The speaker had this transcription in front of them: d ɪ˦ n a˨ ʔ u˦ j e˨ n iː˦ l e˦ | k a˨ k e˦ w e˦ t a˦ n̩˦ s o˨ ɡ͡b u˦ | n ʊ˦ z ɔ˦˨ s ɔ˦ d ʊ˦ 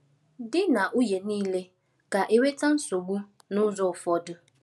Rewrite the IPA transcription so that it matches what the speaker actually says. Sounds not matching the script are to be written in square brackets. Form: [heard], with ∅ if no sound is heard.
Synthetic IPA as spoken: d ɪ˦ n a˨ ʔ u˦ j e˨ n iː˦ l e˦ | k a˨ [ʔ] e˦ w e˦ t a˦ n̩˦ s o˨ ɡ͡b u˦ | n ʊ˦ z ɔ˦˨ [f] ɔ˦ d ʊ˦

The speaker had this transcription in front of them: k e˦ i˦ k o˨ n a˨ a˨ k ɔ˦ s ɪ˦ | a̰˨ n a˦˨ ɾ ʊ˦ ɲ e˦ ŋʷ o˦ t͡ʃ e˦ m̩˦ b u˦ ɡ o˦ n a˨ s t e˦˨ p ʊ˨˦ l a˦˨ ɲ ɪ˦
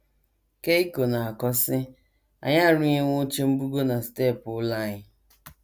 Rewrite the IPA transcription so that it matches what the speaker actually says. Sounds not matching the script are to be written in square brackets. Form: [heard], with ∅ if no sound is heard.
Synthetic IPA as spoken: k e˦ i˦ k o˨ n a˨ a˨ k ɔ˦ s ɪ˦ | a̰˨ [ɲ] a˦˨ ɾ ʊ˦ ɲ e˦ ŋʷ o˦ t͡ʃ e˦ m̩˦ b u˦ ɡ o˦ n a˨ s t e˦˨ p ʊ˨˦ l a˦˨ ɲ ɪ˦

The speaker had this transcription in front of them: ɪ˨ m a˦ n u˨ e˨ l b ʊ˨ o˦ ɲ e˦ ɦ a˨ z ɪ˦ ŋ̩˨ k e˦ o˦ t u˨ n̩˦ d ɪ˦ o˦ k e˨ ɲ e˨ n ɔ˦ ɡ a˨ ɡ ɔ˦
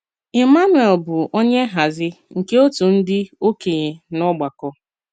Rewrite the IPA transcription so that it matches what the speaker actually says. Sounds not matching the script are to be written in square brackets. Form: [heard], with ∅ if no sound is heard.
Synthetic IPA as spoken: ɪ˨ m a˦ n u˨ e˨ l b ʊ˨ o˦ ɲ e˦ ɦ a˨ z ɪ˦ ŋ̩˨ k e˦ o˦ t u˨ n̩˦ d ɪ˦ o˦ k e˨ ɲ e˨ n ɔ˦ [ɡ͡b] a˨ [k] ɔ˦

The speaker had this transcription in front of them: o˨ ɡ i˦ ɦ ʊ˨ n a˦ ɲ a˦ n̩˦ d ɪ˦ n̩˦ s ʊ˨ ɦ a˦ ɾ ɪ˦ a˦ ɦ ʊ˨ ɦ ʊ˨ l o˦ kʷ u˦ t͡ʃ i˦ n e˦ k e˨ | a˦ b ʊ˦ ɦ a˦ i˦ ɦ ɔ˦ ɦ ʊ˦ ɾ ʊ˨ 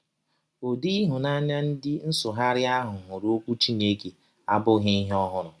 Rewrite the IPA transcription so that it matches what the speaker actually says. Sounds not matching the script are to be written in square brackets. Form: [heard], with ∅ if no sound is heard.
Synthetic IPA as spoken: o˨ [d] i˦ ɦ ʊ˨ n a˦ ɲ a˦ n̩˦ d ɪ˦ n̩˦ s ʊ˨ ɦ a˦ ɾ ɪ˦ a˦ ɦ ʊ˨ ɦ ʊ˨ [ɾ] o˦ kʷ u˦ t͡ʃ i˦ n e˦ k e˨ | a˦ b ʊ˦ ɦ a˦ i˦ ɦ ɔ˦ ɦ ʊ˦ ɾ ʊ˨

